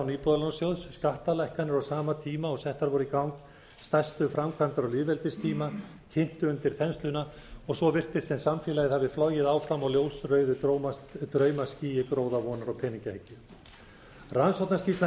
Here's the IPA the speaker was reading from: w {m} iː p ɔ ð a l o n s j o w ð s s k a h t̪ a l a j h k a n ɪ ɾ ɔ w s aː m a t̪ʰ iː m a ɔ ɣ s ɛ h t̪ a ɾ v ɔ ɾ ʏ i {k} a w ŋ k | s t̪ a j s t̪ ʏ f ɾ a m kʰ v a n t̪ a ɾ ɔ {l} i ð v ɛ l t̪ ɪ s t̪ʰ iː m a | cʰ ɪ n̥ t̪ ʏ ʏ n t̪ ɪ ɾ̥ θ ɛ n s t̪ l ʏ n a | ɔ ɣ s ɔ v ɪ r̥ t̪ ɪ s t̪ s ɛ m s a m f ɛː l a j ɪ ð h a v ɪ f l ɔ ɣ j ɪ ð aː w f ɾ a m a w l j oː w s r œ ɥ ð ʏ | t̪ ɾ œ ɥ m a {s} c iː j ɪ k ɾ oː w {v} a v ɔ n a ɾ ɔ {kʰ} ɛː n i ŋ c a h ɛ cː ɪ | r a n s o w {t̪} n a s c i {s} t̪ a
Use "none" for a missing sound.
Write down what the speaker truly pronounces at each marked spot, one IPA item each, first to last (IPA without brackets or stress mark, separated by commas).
n, k, l, s, ð, pʰ, t̪, s